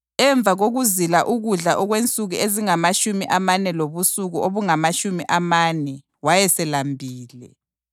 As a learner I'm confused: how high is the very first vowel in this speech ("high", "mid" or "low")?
mid